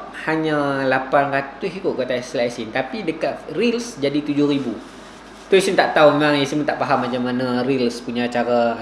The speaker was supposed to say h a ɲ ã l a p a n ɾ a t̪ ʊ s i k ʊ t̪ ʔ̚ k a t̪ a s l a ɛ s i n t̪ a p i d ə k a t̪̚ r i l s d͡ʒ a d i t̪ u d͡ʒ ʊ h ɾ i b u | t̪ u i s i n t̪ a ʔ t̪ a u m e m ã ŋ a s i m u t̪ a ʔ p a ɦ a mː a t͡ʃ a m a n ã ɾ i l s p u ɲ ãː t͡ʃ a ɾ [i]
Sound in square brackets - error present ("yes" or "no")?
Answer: yes